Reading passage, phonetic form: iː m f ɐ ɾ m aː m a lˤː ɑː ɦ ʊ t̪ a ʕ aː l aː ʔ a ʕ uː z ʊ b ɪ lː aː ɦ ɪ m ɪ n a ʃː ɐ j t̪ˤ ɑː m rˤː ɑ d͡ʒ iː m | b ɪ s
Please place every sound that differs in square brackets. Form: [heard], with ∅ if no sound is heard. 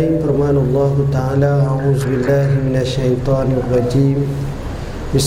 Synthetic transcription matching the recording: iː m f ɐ ɾ m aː [n] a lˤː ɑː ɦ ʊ t̪ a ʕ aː l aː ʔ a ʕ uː z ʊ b ɪ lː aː ɦ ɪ m ɪ n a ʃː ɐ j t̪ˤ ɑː [n] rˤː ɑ d͡ʒ iː m | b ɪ s